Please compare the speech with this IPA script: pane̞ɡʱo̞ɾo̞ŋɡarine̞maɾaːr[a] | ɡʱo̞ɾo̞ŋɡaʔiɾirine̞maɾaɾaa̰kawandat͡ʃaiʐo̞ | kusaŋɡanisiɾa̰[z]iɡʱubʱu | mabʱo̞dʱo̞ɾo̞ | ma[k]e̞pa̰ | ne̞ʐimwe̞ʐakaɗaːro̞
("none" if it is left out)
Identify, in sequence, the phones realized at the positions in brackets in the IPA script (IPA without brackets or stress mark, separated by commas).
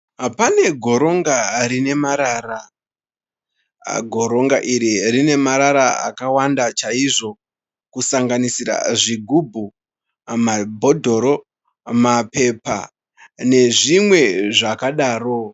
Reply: a, ʐ, p